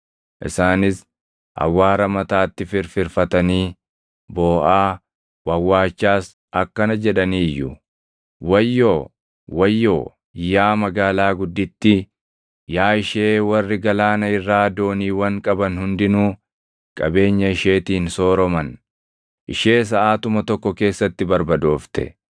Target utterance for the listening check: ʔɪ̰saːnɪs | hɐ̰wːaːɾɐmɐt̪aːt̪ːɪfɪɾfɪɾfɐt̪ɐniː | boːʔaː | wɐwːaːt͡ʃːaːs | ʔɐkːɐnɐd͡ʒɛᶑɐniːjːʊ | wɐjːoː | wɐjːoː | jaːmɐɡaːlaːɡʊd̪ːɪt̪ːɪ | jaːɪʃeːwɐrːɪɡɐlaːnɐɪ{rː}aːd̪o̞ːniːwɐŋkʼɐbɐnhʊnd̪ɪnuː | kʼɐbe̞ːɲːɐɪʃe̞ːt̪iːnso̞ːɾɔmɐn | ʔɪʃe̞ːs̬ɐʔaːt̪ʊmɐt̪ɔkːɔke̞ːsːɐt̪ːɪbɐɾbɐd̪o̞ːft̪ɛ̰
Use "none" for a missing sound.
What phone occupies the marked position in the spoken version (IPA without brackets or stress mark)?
rː